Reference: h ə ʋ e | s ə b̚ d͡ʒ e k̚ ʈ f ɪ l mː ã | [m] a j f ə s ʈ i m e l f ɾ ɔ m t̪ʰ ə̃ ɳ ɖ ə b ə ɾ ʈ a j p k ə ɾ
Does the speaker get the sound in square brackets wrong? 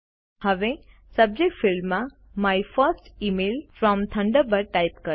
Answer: no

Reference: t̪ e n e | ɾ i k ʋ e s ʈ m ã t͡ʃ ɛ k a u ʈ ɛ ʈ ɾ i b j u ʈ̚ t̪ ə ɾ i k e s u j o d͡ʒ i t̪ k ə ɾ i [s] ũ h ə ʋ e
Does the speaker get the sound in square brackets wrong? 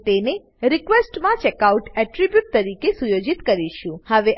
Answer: yes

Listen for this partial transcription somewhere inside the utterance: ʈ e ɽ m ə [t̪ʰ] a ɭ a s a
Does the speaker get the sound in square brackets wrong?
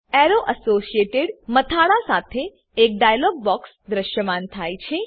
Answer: no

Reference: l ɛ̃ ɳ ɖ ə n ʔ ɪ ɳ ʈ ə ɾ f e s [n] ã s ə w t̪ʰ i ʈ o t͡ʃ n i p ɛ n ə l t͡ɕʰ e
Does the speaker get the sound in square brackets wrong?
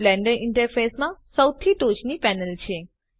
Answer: yes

